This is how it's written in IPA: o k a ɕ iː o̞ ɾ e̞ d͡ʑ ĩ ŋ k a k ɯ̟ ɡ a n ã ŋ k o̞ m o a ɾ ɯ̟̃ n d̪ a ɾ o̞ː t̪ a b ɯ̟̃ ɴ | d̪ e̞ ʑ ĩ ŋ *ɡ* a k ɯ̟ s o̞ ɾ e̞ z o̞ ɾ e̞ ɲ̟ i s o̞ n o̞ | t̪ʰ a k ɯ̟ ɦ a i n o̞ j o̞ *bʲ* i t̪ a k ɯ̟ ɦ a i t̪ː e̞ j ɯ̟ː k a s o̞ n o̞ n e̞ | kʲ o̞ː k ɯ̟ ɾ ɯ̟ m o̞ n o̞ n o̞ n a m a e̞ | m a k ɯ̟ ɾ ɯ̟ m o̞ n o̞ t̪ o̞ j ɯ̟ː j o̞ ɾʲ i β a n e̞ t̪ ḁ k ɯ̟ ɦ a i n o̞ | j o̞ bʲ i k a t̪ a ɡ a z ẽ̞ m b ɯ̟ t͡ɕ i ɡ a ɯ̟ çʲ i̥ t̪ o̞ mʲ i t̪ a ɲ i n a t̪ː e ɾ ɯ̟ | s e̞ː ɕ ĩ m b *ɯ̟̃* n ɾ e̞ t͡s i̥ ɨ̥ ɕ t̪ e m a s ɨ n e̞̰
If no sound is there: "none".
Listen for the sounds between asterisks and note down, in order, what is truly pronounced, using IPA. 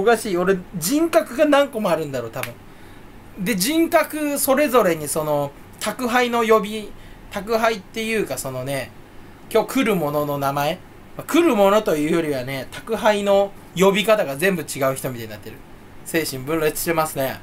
k, bʲ, ɯ̟̃

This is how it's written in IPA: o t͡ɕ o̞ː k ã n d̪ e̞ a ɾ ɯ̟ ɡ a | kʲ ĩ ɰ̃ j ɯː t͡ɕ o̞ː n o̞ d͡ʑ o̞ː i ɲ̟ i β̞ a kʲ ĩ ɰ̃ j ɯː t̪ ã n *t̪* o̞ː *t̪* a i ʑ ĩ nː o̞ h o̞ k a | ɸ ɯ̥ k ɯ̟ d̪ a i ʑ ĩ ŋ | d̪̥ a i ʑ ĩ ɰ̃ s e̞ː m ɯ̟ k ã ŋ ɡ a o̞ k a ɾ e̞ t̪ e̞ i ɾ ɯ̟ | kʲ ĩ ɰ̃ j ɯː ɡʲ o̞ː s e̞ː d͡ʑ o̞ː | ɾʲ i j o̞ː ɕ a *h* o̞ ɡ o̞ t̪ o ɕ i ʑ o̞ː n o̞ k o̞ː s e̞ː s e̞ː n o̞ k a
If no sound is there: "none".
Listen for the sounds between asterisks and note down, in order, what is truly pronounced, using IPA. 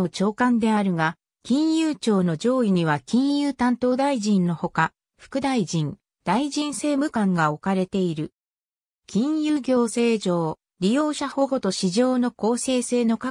t̪, d̪, h

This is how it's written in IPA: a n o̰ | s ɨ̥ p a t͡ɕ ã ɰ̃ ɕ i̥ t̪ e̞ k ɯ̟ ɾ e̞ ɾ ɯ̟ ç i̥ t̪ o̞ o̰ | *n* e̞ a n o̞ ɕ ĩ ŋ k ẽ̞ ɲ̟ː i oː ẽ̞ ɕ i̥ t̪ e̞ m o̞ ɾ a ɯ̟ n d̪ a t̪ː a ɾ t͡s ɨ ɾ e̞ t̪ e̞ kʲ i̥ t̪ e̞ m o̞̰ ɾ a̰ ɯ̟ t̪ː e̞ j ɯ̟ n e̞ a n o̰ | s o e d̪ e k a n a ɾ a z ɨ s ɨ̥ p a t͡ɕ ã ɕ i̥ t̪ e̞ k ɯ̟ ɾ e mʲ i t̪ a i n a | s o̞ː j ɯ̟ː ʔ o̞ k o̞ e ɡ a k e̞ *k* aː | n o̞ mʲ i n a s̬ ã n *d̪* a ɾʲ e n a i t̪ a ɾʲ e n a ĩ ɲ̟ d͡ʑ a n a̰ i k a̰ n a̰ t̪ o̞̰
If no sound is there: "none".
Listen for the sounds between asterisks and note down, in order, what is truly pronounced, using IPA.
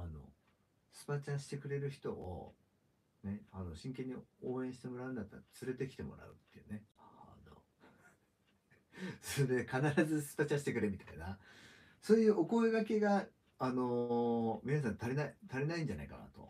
n, ɡ, t̪

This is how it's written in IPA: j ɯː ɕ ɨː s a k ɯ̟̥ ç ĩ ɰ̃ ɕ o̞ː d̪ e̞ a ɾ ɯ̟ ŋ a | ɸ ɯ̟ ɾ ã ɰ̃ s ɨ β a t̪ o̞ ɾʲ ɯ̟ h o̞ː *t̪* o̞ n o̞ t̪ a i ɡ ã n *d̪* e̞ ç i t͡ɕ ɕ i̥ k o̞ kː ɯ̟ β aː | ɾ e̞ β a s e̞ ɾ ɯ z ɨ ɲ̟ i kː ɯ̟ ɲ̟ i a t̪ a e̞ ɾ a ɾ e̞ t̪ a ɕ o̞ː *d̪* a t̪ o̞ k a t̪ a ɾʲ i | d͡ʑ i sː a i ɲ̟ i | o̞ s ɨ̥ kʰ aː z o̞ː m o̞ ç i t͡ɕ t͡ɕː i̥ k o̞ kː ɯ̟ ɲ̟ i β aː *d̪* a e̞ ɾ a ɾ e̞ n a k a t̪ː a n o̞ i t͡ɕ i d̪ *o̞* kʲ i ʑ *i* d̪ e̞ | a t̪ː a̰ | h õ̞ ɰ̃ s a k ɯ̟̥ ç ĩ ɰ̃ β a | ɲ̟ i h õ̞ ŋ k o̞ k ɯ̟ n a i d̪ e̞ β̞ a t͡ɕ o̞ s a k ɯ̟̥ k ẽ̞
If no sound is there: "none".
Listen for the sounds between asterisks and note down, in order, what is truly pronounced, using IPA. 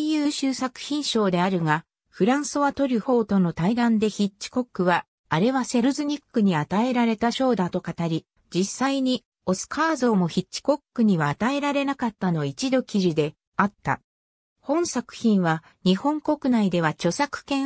t̪, d̪, d̪, t̪, o̞, i

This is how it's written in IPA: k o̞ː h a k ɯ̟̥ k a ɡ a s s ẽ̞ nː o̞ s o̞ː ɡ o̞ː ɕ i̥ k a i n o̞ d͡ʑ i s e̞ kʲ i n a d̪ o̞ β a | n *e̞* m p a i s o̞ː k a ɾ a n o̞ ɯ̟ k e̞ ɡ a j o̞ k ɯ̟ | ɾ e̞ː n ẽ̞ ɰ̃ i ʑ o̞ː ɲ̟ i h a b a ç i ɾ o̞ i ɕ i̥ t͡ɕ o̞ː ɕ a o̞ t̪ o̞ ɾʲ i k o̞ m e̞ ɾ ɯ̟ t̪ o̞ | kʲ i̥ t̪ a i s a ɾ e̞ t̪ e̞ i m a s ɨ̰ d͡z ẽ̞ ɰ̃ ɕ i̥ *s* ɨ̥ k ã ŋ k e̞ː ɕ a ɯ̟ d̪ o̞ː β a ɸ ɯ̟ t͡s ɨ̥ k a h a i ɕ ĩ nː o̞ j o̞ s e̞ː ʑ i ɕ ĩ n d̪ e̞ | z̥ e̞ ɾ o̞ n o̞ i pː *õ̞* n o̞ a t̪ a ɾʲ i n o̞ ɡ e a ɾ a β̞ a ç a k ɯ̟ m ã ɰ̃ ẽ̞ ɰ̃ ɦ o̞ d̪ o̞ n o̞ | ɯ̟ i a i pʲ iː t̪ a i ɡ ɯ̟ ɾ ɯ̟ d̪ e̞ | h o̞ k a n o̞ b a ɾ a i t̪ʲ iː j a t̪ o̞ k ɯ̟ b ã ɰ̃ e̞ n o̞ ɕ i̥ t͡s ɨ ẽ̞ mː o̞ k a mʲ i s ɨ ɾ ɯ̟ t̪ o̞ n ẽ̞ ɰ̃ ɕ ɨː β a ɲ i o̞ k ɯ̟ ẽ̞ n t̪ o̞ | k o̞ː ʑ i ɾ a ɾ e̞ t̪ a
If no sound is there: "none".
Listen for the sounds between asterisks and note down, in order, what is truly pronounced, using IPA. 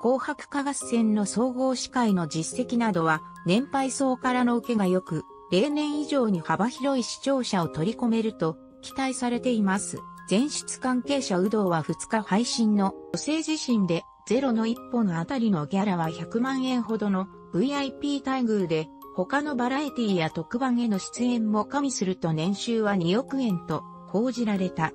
ẽ̞, t͡s, o̞

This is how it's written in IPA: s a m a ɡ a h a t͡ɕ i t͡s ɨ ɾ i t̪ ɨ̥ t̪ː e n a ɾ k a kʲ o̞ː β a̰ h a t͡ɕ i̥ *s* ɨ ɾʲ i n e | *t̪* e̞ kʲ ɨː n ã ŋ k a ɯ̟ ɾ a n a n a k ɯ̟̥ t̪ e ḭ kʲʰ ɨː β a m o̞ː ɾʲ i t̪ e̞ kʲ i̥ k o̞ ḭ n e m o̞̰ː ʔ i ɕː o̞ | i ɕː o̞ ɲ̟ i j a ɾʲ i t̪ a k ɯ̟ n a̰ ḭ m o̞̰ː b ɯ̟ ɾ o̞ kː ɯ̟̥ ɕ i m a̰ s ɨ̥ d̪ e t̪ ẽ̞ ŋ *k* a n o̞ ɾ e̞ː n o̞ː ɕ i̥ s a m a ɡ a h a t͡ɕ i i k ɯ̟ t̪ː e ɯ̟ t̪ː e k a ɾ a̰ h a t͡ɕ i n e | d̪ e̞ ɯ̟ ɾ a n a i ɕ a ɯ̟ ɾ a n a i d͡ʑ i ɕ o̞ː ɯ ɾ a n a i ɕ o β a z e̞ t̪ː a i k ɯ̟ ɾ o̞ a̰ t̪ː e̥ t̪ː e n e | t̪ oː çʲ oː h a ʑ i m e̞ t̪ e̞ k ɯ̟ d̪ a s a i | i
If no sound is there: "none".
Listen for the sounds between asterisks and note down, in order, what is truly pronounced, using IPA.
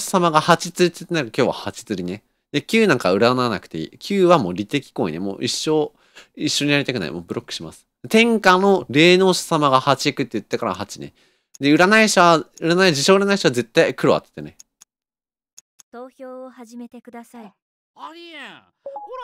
t͡s, d̪, k

